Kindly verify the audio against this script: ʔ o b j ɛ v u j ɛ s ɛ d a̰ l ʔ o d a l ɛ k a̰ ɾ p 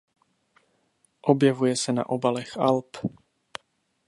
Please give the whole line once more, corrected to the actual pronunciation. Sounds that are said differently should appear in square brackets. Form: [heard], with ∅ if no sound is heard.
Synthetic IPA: ʔ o b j ɛ v u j ɛ s ɛ [n] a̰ [∅] ʔ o [b] a l ɛ [x] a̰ [l] p